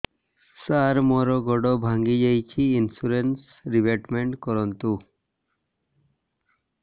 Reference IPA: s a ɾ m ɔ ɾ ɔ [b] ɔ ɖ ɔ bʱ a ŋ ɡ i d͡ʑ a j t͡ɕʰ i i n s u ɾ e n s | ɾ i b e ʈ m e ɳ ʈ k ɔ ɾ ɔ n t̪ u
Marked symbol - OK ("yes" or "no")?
no